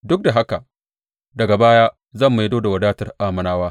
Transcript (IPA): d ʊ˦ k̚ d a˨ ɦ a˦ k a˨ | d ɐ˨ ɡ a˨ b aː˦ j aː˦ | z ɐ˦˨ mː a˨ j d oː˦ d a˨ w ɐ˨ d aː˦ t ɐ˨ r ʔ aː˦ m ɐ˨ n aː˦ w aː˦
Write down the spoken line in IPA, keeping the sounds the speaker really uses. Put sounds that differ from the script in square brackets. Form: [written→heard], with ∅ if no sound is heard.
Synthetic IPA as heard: d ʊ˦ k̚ d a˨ ɦ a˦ k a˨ | d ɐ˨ ɡ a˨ b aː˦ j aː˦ | z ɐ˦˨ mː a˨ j d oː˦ d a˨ w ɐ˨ d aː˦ t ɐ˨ r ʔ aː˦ m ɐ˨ n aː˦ w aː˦